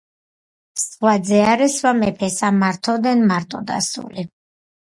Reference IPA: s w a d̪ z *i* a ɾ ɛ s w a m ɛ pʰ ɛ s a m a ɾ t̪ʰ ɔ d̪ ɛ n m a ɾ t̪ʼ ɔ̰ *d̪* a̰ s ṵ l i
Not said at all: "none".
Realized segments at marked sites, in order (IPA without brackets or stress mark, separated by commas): ɛ, d̪